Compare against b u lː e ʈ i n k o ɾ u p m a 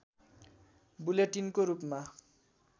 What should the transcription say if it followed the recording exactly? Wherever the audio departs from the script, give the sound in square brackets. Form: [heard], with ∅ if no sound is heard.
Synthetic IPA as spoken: b u [l] e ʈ i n k o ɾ u p m a